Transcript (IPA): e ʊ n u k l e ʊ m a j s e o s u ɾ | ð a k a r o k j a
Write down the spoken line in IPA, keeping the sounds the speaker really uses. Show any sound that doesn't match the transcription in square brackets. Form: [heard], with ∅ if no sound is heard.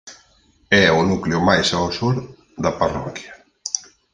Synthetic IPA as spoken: [ɛ] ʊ n u k l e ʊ m a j s [a] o s u ɾ | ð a [p] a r [ɔ] k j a